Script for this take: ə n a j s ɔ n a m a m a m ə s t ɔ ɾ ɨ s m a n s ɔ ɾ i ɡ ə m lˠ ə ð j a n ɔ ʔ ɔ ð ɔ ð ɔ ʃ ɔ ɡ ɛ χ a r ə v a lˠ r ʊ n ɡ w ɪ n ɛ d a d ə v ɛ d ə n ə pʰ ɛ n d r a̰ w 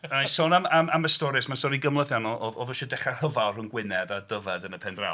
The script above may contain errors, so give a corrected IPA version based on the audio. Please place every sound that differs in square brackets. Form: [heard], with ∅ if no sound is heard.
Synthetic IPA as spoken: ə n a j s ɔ n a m a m a m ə s t ɔ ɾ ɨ s m a n s ɔ ɾ i ɡ ə m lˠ ə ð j a n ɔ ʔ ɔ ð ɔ ð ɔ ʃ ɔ [d] ɛ χ a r ə v a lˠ r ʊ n ɡ w ɪ n ɛ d a d ə v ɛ d ə n ə pʰ ɛ n d r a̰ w